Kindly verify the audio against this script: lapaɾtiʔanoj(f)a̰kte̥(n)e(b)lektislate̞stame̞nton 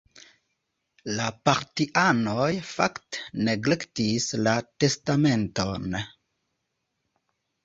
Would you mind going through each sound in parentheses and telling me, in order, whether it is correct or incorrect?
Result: correct, correct, incorrect: ɡ

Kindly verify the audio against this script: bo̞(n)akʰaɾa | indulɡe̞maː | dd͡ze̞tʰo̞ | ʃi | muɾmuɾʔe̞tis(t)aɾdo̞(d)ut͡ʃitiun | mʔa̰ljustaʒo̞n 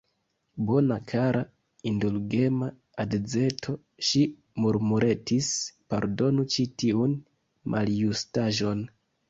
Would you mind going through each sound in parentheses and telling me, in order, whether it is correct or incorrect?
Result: correct, incorrect: p, incorrect: n

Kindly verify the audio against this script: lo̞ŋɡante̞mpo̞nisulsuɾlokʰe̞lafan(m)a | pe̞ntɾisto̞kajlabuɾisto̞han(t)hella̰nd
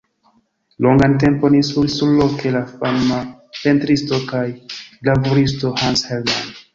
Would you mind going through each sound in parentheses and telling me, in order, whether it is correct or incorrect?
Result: correct, incorrect: s

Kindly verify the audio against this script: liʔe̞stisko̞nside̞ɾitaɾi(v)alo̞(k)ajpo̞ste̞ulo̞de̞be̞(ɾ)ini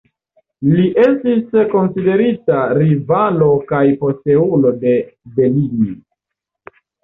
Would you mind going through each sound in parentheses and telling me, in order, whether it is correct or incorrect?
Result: correct, correct, incorrect: l

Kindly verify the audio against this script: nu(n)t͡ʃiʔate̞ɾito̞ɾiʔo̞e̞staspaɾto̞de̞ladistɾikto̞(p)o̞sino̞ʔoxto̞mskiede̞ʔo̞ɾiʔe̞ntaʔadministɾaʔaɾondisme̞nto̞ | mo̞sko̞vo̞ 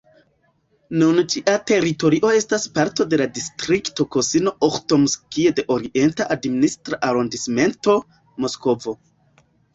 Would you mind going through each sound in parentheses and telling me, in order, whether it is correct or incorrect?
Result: correct, incorrect: k

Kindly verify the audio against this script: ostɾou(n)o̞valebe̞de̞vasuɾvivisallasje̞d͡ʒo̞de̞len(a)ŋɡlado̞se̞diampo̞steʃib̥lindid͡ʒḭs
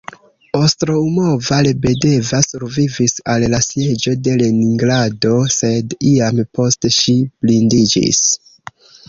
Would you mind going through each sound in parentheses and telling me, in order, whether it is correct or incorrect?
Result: incorrect: m, incorrect: i

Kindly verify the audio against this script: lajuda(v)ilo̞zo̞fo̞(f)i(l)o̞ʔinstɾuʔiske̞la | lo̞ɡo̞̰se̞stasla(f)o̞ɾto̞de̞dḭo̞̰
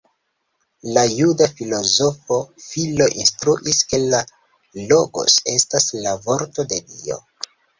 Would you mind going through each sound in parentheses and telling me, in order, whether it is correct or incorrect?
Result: incorrect: f, correct, correct, incorrect: v

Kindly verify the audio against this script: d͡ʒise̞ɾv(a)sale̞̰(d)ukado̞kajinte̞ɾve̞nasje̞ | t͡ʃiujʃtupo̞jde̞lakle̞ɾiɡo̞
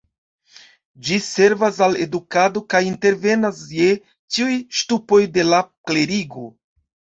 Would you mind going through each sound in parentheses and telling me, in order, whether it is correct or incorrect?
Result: correct, correct

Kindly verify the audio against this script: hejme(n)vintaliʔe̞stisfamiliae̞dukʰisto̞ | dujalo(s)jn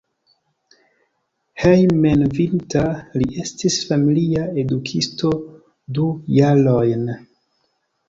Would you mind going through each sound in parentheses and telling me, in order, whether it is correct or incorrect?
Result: correct, incorrect: none

